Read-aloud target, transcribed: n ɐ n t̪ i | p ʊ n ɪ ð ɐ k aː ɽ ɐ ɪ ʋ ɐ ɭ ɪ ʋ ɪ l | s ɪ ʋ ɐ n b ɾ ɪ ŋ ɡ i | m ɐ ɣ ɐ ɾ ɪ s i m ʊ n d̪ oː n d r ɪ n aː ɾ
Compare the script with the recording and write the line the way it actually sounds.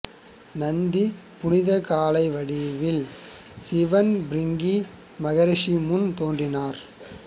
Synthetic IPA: n ɐ n d̪ i | p ʊ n ɪ ð ɐ k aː l ɐ ɪ ʋ ɐ ɽ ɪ ʋ ɪ l | s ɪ ʋ ɐ n b ɾ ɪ ŋ ɡ i | m ɐ ɣ ɐ ɾ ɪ ʂ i m ʊ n t̪ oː n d r ɪ n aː ɾ